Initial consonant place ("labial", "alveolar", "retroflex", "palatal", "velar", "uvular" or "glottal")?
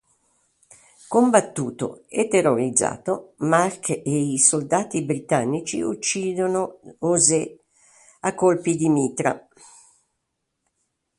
velar